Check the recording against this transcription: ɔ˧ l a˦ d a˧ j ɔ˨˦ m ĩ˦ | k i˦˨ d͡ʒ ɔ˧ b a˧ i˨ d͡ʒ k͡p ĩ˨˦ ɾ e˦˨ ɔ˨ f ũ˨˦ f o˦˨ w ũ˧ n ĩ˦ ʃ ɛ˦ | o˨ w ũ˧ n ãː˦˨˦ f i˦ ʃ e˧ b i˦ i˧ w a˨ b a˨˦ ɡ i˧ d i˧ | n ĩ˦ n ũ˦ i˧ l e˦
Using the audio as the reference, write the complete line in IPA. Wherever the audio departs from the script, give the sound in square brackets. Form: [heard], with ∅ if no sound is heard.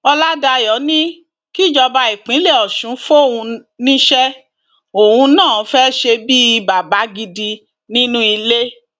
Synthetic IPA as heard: ɔ˧ l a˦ d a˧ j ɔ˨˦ [n] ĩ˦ | k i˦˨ d͡ʒ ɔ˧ b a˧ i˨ [∅] k͡p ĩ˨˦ [l] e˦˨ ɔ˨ [ʃ] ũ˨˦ f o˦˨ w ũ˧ n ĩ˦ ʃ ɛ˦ | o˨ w ũ˧ n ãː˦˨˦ f [ɛ˦] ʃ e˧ b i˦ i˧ [b] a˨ b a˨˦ ɡ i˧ d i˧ | n ĩ˦ n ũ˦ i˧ l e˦